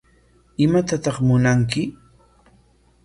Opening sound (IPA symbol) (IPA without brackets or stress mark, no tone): ɪ